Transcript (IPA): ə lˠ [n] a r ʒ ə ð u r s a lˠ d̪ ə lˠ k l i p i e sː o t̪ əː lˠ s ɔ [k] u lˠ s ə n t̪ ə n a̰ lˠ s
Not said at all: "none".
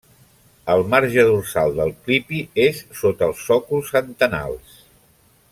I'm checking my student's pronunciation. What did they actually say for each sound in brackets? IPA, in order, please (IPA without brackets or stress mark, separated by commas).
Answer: m, k